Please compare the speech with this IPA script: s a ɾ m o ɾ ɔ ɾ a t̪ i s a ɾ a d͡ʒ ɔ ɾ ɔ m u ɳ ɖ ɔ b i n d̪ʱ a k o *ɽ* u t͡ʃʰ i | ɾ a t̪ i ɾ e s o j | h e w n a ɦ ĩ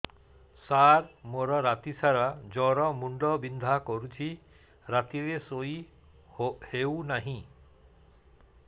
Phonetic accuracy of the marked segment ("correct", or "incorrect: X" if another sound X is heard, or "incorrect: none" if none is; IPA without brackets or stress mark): incorrect: ɾ